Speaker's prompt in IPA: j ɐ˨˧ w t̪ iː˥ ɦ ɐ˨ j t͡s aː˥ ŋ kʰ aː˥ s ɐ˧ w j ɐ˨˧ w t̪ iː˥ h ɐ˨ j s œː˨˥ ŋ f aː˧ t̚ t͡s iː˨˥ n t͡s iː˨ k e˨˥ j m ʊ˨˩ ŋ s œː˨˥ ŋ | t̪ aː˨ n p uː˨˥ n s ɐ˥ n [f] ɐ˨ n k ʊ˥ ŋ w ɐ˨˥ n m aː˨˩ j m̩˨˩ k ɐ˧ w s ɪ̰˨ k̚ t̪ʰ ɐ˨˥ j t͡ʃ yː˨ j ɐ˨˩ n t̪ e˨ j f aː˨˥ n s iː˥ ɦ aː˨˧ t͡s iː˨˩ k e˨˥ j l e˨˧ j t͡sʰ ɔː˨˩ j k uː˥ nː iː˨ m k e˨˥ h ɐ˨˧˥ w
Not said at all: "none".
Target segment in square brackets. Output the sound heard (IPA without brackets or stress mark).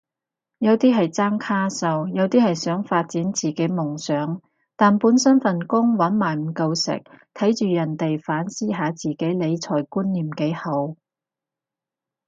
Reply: f